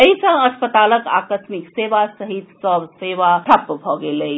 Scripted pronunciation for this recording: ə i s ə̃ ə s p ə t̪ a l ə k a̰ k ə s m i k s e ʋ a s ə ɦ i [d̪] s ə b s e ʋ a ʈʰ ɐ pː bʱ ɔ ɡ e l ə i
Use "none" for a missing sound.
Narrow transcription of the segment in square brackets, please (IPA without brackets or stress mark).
t̪